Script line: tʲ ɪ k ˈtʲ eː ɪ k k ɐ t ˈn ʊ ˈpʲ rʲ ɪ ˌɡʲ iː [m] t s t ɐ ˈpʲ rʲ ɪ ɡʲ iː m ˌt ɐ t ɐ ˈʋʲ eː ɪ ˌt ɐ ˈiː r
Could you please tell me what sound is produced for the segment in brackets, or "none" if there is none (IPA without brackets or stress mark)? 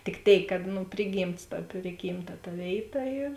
m